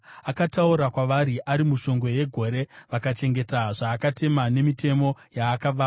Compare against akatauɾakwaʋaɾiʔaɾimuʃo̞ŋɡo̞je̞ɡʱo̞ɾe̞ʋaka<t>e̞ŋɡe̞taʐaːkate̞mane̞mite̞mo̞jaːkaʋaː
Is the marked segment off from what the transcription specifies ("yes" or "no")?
yes